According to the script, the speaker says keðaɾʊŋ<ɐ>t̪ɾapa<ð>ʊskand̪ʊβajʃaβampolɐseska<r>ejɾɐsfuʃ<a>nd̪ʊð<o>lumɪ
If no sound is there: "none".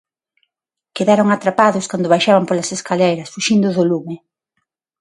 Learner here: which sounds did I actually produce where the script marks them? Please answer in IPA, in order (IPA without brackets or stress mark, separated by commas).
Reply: a, ð, l, i, o